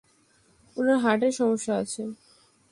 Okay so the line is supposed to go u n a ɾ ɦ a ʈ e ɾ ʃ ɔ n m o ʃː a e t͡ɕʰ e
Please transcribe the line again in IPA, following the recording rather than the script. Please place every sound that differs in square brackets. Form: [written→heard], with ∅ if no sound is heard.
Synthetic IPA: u n a ɾ ɦ a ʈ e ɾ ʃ ɔ [n→∅] m o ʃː a [e→a] t͡ɕʰ e